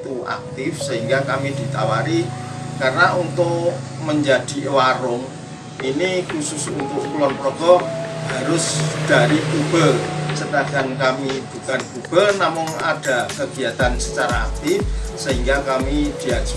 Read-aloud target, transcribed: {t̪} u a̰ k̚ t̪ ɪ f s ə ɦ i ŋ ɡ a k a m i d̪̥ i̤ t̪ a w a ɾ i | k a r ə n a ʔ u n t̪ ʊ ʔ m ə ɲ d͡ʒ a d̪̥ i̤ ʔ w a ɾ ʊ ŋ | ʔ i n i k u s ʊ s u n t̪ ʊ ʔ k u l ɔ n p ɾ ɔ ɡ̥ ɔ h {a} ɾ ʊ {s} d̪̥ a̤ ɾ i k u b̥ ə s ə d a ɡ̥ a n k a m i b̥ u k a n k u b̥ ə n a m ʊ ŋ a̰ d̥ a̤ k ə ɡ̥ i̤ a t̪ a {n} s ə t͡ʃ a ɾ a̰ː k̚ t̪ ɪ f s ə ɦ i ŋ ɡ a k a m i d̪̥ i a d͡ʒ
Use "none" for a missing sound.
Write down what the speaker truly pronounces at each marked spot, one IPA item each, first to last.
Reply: t̪, a, s, n

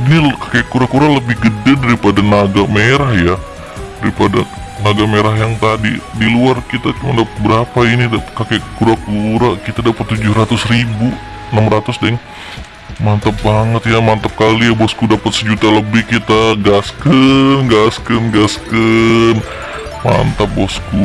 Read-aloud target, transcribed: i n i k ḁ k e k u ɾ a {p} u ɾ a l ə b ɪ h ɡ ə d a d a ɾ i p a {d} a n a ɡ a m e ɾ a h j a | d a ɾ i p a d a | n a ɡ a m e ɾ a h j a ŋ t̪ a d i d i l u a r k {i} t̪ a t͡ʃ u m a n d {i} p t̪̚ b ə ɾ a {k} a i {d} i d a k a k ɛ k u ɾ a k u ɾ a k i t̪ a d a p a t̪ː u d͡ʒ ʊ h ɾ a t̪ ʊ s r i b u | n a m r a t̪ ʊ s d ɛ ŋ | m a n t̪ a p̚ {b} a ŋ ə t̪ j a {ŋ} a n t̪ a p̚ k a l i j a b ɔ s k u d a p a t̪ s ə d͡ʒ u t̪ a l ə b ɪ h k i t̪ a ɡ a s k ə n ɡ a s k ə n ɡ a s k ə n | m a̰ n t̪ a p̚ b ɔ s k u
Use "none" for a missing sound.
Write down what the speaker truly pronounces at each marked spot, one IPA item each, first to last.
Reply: k, d, i, a, p, n, b, m

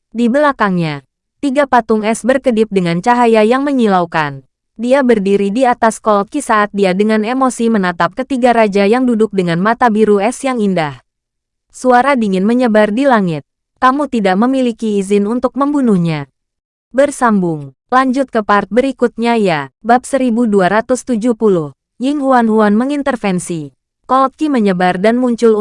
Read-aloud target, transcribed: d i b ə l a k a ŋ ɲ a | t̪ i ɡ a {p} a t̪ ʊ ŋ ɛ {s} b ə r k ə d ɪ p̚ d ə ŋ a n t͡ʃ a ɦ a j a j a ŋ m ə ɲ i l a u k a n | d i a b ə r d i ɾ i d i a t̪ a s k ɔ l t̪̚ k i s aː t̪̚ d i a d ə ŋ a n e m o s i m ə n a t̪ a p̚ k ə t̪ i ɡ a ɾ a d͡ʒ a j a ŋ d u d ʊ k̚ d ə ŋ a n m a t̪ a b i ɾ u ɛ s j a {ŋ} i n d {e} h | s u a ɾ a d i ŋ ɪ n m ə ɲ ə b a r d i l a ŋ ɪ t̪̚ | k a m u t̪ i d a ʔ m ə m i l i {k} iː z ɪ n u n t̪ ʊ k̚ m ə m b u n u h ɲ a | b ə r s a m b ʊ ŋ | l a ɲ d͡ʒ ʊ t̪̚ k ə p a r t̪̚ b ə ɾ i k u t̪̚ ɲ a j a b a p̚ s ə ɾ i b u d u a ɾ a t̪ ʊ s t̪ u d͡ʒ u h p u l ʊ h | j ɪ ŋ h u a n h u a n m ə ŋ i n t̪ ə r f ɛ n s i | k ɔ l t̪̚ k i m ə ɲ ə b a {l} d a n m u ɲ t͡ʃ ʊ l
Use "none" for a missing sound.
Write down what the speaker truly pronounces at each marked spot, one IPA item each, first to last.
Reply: p, s, ŋ, a, k, r

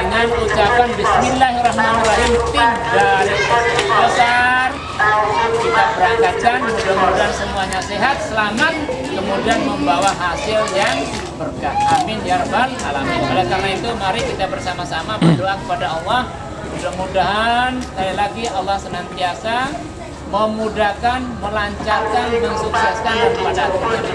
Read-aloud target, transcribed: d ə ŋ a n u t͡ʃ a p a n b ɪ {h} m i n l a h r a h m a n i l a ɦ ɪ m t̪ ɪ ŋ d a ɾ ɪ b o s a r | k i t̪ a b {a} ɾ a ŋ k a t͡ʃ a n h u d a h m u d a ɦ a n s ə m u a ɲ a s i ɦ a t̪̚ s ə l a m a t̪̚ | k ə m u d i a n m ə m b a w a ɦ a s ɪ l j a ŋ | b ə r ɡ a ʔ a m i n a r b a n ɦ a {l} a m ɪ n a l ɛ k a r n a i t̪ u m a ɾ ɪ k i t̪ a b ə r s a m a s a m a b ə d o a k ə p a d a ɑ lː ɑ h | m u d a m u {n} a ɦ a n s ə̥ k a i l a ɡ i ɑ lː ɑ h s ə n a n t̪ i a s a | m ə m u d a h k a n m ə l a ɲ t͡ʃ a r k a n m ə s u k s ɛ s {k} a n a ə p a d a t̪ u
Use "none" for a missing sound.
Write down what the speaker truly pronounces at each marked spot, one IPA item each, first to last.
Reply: s, ə, l, d, k

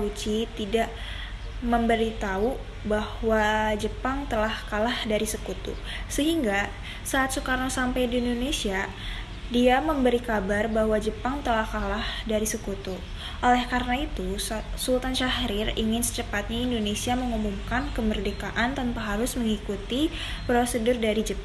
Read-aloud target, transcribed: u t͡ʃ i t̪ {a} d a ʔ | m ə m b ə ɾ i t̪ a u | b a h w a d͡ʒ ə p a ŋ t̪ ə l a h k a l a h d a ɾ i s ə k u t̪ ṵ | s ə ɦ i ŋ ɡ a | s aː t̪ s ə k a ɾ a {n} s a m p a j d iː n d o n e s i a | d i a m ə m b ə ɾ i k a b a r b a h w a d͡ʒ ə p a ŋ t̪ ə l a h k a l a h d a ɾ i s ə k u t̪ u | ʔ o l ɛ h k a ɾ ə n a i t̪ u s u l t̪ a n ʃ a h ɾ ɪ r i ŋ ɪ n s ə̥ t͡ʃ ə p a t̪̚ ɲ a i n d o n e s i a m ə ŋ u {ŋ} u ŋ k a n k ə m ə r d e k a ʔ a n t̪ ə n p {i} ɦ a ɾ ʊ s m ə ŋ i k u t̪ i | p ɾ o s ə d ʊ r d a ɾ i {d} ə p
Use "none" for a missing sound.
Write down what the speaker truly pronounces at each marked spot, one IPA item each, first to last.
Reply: i, ŋ, m, a, d͡ʒ

